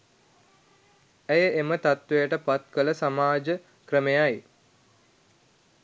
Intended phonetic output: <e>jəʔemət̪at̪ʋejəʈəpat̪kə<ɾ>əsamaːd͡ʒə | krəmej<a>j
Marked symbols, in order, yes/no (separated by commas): no, no, yes